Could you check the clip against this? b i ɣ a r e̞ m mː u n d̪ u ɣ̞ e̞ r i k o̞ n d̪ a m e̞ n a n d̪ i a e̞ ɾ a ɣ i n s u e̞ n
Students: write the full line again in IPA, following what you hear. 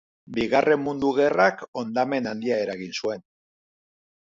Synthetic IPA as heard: b i ɣ a r e̞ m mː u n d̪ u ɣ̞ e̞ r a k o̞ n d̪ a m e̞ n a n d̪ i a e̞ ɾ a ɣ i n s u e̞ n